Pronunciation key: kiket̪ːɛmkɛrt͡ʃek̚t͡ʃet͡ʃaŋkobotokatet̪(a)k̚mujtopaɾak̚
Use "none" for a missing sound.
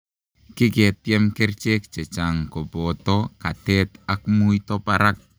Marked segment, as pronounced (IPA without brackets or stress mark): a